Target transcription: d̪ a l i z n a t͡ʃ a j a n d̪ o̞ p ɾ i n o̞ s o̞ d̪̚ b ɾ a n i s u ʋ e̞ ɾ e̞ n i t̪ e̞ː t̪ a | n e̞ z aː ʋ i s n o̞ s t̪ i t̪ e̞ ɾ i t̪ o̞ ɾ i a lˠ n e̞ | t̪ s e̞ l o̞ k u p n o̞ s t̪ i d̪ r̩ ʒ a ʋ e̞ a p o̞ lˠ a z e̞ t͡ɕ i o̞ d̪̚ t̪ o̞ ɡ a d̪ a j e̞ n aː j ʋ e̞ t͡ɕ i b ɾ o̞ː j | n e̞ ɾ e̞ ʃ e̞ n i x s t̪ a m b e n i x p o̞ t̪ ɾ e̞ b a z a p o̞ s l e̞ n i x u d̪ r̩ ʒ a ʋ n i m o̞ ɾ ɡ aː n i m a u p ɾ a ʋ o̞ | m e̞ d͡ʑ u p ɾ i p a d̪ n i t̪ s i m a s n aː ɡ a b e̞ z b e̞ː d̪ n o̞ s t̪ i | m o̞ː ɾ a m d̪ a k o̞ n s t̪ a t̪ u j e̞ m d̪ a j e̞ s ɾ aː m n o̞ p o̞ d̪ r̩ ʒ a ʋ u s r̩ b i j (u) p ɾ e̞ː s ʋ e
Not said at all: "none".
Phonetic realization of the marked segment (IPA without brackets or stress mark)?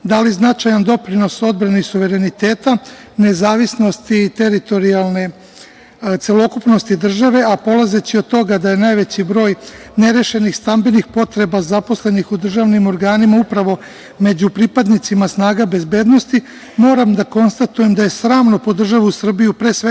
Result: u